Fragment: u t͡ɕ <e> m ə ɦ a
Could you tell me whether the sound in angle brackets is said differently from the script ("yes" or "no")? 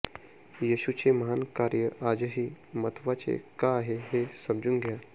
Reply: no